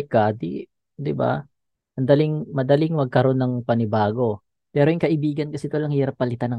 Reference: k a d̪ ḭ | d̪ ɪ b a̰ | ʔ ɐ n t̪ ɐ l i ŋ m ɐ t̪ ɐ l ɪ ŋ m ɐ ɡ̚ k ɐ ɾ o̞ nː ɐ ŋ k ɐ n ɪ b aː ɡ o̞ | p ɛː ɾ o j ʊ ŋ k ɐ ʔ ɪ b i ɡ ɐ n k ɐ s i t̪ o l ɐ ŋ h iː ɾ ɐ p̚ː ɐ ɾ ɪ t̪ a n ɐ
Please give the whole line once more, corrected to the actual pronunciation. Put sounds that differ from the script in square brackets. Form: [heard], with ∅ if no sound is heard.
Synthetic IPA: k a d̪ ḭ | d̪ ɪ b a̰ | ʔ ɐ n [d̪] ɐ l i ŋ m ɐ [d̪] ɐ l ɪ ŋ m ɐ ɡ̚ k ɐ ɾ o̞ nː ɐ ŋ [p] ɐ n ɪ b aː ɡ o̞ | p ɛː ɾ o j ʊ ŋ k ɐ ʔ ɪ b [iː] ɡ ɐ n k ɐ s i t̪ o l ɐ ŋ h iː ɾ ɐ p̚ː ɐ [l] ɪ t̪ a n ɐ